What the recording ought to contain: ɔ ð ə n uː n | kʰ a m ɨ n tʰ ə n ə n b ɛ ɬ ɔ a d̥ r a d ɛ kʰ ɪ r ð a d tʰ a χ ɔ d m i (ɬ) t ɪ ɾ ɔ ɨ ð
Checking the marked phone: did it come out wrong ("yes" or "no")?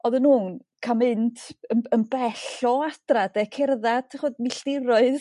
no